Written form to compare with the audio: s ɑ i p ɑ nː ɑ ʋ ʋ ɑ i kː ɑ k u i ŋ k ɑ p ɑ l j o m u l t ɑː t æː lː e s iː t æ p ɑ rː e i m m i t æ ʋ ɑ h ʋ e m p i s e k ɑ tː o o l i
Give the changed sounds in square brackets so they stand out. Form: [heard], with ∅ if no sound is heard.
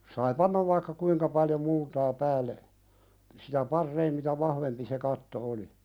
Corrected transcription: s ɑ i p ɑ nː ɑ ʋ ʋ ɑ i kː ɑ k u i ŋ k ɑ p ɑ l j o m u l t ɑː [p] æː lː e s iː t æ p ɑ rː e i m m i t æ ʋ ɑ h ʋ e m p i s e k ɑ tː o o l i

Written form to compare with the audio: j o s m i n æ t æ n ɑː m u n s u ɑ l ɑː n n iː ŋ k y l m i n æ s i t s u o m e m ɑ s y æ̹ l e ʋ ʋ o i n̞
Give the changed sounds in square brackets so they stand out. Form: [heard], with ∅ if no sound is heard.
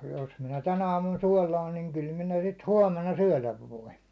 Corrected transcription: j o s m i n æ t æ n ɑː m u n s u [ɒ] l ɑː n n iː ŋ k y l m i n æ s i t [h] u [ɒ] m e [n] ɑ s y æ̹ l [æ] ʋ ʋ o i n̞

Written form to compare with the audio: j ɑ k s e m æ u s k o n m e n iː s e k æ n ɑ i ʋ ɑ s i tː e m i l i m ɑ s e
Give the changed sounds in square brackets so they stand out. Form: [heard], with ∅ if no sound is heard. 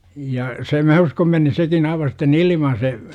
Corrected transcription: j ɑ [∅] s e m æ u s k o [m] m e n [i] s e k [i] n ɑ i ʋ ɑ s i tː e [n] i l i m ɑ s e

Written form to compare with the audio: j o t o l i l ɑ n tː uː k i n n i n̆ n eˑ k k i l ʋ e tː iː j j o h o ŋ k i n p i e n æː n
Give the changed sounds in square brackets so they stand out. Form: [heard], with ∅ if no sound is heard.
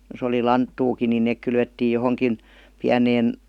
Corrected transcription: j o [s] o l i l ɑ n tː uː k i n n i n̆ n eˑ k k [y] l ʋ e tː iː j j o h o ŋ k i n p i [æ] n [eː] n

